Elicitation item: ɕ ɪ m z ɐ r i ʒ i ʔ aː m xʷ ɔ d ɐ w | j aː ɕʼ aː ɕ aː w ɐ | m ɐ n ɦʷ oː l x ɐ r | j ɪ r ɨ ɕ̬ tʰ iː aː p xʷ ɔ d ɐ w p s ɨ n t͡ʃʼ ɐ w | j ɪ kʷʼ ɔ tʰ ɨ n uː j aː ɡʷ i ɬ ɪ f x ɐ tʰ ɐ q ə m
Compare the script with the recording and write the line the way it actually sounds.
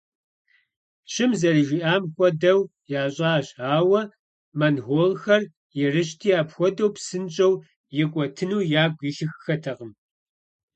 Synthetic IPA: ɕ ɪ m z ɐ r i ʒ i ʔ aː m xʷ ɔ d ɐ w | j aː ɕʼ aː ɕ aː w ɐ | m ɐ n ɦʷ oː l x ɐ r | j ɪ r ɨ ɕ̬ tʰ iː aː p xʷ ɔ d ɐ w p s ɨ n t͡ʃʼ ɐ w | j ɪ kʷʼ ɔ tʰ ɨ n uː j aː ɡʷ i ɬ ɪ x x ɐ tʰ ɐ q ə m

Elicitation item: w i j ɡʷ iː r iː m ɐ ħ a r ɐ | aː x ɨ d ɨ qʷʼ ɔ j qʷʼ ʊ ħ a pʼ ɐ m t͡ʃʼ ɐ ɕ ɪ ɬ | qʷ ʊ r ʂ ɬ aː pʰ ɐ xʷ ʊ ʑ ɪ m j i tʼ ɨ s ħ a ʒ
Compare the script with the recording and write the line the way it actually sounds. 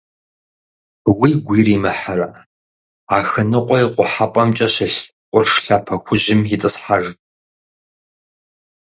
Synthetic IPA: w i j ɡʷ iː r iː m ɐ ħ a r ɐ | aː x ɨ n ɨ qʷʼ ɔ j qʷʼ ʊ ħ a pʼ ɐ m t͡ʃʼ ɐ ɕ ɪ ɬ | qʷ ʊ r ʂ ɬ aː pʰ ɐ xʷ ʊ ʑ ɪ m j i tʼ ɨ s ħ a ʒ

